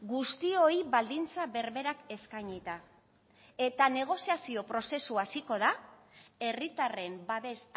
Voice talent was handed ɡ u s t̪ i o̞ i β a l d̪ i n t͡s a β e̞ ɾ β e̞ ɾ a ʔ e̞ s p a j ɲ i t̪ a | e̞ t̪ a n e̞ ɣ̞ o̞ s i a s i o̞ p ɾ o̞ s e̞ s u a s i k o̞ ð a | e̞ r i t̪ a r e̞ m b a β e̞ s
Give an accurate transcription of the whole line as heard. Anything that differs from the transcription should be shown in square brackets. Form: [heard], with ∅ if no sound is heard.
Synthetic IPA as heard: ɡ u s t̪ i o̞ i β a l d̪ i n t͡s a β e̞ ɾ β e̞ ɾ a [k] e̞ s [k] a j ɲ i t̪ a | e̞ t̪ a n e̞ ɣ̞ o̞ s i a s i o̞ p ɾ o̞ s e̞ s u a s i k o̞ ð a | e̞ r i t̪ a r e̞ m b a β e̞ s